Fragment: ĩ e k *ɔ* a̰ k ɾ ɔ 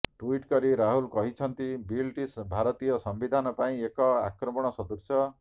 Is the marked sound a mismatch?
no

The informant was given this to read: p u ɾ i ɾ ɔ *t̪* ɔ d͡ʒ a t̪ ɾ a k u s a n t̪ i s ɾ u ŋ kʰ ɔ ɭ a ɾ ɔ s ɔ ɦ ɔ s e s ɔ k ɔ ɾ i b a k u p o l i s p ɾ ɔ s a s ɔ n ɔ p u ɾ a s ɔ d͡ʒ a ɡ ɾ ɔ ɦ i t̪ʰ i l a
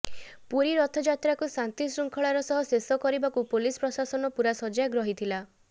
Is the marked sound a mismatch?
yes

